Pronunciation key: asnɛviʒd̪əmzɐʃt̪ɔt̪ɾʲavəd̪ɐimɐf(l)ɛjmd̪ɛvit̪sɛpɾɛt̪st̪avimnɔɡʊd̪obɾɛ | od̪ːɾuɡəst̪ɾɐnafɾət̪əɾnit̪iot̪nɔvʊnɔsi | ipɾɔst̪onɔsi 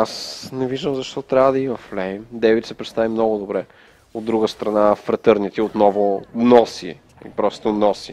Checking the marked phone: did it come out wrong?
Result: no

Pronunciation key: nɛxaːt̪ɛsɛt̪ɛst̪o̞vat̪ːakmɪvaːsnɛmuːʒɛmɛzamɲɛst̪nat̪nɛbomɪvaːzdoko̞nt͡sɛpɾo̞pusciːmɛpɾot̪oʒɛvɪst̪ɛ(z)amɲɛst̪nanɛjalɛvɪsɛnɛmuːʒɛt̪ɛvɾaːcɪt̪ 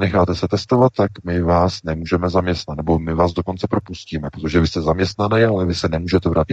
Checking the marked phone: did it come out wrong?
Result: no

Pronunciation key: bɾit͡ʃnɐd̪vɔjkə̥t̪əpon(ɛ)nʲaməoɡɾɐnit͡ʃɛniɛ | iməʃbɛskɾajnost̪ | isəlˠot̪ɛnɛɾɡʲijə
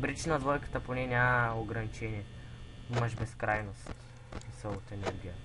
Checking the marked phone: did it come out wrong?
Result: no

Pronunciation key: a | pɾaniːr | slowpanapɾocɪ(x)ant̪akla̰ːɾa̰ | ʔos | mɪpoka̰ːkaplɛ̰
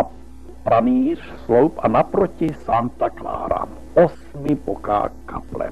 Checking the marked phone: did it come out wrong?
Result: yes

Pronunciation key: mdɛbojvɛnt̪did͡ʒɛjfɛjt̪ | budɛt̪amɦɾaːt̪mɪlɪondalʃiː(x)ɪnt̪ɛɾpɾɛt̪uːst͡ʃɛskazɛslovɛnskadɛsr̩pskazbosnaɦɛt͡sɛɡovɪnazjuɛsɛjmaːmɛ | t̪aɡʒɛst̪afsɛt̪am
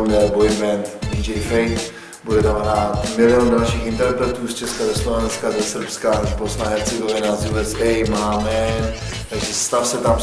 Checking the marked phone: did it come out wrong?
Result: no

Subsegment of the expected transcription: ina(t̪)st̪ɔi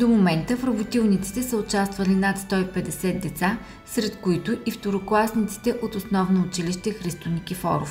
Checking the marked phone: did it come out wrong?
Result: no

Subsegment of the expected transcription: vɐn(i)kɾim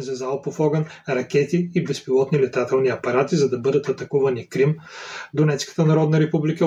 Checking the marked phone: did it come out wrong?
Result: no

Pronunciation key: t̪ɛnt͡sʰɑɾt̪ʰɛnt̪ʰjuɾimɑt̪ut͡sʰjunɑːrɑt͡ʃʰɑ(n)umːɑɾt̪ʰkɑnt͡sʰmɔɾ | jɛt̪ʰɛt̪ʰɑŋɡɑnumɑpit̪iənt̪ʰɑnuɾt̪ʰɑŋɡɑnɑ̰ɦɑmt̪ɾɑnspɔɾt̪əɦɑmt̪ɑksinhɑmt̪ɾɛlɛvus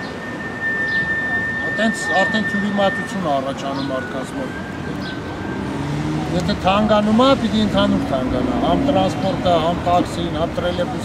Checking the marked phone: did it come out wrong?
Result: no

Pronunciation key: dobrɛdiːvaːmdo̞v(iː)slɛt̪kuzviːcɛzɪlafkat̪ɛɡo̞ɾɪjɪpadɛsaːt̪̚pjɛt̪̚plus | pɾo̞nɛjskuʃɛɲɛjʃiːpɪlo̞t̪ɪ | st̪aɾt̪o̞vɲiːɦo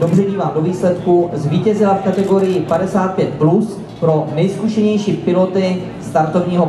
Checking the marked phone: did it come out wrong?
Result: no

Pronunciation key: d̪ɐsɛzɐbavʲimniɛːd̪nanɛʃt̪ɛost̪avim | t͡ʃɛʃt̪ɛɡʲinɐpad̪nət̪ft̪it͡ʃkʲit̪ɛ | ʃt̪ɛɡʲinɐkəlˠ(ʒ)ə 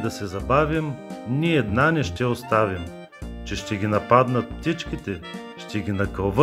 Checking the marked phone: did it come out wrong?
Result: yes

